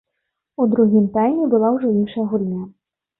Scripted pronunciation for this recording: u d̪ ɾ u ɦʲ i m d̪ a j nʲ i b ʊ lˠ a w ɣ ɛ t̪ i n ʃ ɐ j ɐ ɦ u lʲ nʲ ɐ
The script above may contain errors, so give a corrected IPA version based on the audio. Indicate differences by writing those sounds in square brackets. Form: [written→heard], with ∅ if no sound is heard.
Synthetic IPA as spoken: u d̪ ɾ u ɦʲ i m [d̪→t̪] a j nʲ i b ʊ lˠ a w [ɣ→ʐ] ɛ [t̪→∅] i n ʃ ɐ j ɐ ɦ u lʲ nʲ [ɐ→a]